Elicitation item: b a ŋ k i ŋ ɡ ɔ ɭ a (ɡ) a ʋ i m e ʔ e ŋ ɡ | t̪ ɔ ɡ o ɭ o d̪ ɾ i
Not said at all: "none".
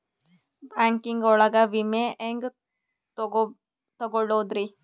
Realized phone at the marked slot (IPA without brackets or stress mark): ɡ